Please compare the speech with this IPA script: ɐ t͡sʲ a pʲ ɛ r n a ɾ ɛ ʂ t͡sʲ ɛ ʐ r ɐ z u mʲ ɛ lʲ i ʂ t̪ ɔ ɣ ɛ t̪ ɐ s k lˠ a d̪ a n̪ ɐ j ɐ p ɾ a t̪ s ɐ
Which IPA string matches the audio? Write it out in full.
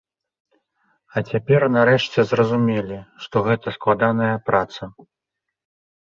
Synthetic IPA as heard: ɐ t͡sʲ a pʲ ɛ r n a ɾ ɛ ʂ t͡sʲ ɛ z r ɐ z u mʲ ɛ lʲ i ʂ t̪ ɔ ɣ ɛ t̪ ɐ s k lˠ a d̪ a n̪ ɐ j ɐ p ɾ a t̪ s ɐ